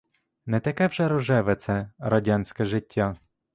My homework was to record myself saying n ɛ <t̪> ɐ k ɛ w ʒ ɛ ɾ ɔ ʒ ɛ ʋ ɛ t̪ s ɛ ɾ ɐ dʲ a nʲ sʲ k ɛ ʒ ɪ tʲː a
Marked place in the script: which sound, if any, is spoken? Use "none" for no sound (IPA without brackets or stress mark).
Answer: t̪